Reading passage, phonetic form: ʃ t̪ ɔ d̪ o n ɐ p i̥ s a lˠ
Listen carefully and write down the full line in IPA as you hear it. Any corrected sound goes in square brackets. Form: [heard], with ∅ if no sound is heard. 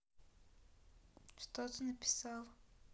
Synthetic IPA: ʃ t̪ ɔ [t̪] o n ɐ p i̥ s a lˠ